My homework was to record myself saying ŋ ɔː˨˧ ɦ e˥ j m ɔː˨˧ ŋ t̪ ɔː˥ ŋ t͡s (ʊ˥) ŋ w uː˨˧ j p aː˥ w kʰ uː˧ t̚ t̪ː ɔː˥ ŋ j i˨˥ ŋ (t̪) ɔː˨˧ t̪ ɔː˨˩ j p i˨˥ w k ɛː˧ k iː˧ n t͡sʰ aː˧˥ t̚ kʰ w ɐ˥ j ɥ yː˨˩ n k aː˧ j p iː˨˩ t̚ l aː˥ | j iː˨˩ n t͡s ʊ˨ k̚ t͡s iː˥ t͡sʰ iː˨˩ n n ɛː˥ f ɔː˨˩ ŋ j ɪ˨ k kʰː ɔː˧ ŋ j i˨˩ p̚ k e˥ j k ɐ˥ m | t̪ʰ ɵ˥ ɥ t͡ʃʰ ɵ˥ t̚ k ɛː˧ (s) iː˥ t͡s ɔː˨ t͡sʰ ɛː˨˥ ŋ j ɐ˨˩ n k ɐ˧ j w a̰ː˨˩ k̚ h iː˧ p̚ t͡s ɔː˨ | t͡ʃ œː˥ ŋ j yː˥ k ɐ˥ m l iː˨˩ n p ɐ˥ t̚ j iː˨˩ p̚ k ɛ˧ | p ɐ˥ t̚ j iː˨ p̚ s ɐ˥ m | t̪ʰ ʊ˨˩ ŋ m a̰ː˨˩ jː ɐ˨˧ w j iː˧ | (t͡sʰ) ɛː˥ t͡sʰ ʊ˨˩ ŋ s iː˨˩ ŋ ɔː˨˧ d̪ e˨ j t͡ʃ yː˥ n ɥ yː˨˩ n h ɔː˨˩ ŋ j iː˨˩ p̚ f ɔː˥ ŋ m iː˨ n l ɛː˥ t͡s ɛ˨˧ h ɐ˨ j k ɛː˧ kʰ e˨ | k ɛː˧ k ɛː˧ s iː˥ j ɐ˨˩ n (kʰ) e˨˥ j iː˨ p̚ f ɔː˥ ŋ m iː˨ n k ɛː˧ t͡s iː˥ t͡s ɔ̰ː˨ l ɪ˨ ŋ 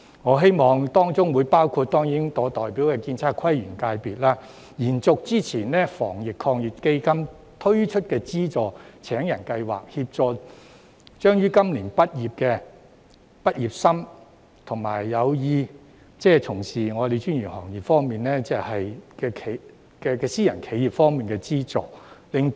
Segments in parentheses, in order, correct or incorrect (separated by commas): correct, correct, incorrect, incorrect, correct